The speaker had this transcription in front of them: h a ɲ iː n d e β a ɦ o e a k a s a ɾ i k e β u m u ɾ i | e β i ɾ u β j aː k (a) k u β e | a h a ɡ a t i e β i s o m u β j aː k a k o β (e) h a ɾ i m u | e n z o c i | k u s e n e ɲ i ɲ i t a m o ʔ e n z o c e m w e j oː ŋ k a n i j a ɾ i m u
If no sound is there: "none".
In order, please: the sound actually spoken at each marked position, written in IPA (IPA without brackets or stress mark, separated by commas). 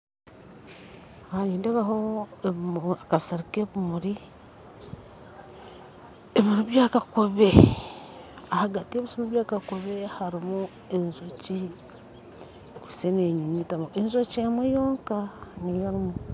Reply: a, e